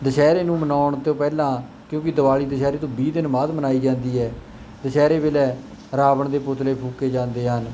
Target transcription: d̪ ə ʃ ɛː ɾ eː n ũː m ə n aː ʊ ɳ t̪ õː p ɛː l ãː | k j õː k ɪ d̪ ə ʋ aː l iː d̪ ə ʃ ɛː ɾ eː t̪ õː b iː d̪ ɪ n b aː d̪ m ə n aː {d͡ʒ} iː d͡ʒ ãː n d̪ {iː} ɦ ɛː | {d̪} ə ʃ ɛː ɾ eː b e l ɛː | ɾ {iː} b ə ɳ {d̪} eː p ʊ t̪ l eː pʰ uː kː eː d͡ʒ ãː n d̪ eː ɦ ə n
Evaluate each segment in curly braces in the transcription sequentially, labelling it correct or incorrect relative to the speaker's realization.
incorrect: none, correct, correct, incorrect: aː, correct

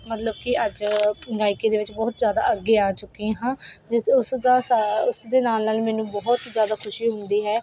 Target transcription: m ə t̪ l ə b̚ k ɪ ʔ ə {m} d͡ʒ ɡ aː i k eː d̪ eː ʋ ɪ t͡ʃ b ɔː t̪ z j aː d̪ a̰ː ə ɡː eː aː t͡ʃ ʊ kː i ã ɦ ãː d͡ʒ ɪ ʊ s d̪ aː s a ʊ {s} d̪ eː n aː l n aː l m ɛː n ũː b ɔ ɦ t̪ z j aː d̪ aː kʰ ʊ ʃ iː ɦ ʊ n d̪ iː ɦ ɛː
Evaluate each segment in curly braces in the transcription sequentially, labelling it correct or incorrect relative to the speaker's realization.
incorrect: none, correct

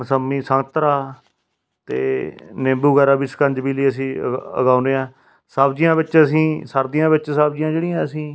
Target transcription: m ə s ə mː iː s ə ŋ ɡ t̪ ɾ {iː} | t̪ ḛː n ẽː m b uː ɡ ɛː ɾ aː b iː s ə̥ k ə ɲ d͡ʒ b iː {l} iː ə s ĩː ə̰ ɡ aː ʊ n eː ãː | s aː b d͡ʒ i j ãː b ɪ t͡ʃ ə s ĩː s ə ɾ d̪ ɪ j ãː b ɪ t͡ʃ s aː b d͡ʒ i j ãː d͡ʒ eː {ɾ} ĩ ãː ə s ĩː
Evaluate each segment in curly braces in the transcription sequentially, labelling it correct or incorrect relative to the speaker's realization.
incorrect: aː, correct, incorrect: ɽ

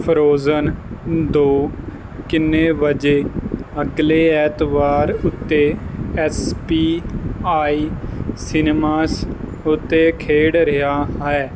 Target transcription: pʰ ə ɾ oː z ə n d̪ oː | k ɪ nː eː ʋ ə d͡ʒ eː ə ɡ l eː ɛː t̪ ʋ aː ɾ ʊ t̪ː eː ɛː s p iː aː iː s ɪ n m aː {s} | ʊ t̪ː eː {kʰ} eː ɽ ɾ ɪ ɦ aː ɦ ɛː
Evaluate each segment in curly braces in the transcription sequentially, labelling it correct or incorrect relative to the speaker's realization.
correct, correct

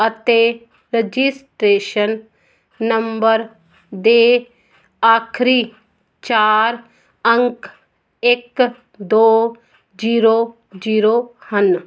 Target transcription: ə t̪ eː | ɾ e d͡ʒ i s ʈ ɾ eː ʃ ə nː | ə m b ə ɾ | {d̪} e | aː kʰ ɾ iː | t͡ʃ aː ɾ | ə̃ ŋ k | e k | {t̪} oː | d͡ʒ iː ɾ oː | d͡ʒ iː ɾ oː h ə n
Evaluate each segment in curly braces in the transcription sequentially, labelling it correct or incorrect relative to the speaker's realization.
correct, incorrect: d̪

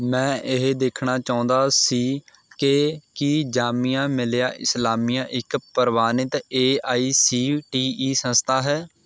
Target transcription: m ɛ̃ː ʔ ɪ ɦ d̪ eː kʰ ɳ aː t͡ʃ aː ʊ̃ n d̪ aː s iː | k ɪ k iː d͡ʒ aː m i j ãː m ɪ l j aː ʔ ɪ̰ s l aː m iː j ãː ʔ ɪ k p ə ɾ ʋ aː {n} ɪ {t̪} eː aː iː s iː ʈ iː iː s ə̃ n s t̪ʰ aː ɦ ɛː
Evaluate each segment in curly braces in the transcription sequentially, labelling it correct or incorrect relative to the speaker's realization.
correct, correct

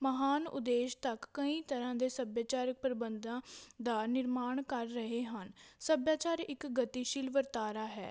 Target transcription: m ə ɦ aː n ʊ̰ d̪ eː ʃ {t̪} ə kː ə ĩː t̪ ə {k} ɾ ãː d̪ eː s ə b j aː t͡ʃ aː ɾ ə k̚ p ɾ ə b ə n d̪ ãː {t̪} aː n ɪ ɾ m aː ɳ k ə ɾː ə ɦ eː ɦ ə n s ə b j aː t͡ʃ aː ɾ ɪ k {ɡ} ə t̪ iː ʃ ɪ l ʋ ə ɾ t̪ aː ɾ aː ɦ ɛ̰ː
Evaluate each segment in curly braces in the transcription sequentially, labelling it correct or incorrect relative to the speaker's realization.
correct, incorrect: none, incorrect: d̪, correct

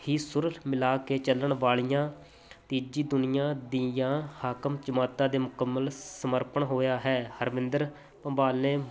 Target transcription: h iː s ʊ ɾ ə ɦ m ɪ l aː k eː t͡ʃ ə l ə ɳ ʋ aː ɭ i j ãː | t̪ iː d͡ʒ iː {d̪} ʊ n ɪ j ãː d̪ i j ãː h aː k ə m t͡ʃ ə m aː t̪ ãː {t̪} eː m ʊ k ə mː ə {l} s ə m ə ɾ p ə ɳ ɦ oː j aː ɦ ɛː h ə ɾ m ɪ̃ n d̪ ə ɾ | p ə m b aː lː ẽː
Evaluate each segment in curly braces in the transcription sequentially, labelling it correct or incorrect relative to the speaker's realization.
correct, incorrect: d̪, correct

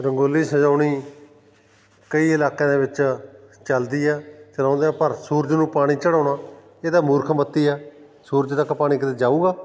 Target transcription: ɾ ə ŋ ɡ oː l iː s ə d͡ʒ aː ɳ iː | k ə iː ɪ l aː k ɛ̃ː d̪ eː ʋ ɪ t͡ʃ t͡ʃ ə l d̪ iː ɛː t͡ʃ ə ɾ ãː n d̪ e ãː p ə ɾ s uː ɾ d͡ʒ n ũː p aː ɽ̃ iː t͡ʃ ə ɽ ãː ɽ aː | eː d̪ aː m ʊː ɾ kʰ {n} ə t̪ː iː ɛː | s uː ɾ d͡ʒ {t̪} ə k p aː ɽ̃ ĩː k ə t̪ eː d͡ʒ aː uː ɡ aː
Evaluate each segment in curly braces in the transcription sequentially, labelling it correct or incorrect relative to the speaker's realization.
incorrect: m, correct

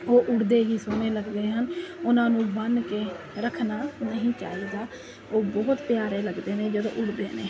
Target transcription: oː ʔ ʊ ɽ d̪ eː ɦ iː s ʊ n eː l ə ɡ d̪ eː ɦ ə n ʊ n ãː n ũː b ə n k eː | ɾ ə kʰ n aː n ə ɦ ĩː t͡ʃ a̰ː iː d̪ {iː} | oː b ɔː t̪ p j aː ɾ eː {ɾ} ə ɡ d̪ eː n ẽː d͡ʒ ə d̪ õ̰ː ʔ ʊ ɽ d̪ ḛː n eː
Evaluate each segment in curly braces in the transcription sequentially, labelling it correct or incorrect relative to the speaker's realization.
incorrect: aː, incorrect: l

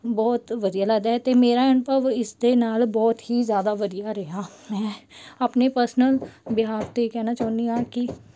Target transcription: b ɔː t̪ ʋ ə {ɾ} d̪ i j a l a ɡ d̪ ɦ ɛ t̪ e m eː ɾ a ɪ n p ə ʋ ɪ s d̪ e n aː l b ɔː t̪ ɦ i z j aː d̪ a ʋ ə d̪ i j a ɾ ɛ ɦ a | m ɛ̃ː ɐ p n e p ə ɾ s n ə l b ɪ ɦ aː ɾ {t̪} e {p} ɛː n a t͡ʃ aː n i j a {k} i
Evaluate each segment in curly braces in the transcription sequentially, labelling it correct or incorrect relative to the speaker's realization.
incorrect: none, correct, incorrect: k, correct

